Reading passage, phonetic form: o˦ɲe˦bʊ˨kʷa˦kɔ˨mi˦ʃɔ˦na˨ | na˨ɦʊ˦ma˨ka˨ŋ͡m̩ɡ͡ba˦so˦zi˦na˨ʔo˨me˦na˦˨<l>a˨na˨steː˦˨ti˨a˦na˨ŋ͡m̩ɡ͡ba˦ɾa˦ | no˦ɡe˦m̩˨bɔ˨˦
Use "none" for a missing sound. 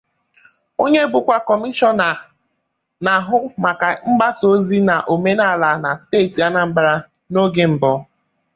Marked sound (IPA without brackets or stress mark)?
l